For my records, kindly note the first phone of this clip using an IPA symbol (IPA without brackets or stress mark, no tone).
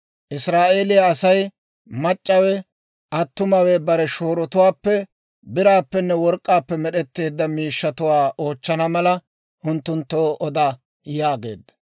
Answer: ʔ